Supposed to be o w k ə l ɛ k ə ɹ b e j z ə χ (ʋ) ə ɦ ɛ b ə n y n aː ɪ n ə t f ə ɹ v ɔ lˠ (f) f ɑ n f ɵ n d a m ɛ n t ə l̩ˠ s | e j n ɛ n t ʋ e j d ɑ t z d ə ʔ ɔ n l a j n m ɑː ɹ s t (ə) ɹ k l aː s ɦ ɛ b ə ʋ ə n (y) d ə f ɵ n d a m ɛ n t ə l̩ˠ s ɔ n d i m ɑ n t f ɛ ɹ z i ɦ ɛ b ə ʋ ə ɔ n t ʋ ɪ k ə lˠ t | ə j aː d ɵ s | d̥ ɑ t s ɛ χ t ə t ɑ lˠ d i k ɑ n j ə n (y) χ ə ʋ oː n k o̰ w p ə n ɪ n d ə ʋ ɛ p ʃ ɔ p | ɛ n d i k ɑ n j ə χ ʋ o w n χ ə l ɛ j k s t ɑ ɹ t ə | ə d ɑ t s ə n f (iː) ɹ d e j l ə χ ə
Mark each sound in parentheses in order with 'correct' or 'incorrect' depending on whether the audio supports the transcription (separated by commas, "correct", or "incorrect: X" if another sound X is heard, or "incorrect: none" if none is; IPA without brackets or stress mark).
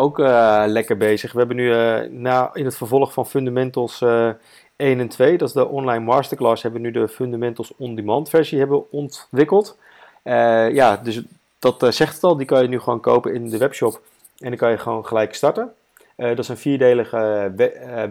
correct, incorrect: χ, correct, correct, correct, correct